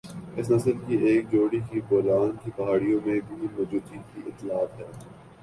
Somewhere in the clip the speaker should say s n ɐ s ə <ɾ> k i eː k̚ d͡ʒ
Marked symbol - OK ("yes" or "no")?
no